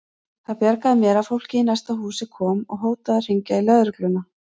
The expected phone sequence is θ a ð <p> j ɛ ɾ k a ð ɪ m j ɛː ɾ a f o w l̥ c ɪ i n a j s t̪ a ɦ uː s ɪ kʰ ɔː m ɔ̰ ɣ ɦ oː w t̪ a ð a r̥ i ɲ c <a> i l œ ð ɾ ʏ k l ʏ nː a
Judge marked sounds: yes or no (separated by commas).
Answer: yes, yes